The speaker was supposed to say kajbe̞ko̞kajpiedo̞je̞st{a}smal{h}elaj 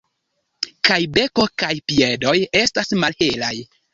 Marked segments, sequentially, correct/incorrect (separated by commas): correct, correct